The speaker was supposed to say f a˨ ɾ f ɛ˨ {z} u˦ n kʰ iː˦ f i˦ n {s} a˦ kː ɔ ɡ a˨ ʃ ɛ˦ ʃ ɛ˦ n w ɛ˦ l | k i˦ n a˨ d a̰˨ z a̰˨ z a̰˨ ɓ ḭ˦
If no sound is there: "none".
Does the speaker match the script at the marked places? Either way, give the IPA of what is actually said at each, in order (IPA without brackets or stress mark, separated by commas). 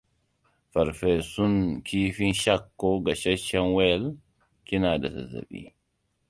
s, ʃ